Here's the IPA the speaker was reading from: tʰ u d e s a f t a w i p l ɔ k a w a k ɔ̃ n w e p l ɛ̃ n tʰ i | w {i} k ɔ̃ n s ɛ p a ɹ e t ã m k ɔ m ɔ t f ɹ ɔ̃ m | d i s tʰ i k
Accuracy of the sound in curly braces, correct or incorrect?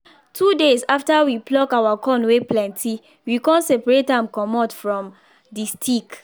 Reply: correct